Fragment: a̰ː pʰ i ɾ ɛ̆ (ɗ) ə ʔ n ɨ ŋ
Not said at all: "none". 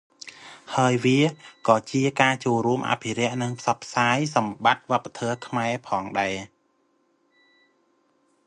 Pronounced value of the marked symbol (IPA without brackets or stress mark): none